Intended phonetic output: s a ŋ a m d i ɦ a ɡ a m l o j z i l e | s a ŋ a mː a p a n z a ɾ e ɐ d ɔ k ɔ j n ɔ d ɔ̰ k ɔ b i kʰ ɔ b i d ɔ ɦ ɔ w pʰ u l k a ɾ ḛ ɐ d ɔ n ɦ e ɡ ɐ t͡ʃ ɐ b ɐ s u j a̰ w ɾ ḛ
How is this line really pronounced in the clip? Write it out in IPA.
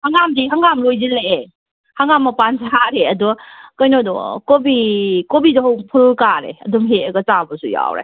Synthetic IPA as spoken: h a ŋ a m d i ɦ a ŋ a m l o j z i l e | h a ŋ a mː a p a n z a ɾ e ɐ d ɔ k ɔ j n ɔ d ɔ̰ k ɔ b i k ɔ b i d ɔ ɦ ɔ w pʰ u l k a ɾ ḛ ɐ d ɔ m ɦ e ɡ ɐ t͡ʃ a b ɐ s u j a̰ w ɾ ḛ